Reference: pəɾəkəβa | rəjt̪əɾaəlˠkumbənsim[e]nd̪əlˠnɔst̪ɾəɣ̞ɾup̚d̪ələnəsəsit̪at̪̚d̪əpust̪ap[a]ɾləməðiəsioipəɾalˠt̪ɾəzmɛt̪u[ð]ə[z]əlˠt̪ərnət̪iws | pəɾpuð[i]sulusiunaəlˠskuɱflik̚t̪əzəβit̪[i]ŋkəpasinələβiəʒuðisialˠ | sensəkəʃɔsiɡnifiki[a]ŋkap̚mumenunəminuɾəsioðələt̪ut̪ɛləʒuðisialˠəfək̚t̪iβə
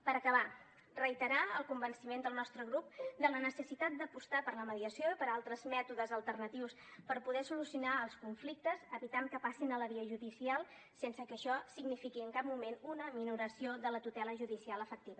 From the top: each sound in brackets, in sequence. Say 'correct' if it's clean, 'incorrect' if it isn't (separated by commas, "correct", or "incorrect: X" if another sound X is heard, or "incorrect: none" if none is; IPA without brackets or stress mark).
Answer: correct, incorrect: ə, correct, correct, incorrect: ɛ, incorrect: a, incorrect: ə